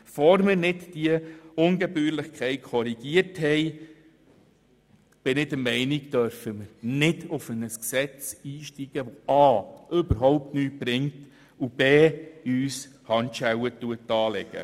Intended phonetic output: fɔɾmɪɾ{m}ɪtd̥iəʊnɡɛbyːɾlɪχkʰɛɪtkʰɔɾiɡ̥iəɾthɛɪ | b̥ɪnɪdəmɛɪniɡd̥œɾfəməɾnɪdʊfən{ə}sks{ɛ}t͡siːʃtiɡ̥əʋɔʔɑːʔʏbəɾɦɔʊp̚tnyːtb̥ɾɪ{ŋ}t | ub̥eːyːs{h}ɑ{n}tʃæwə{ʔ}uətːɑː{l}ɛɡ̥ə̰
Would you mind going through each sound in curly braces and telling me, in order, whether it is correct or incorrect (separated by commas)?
incorrect, correct, correct, correct, correct, correct, incorrect, correct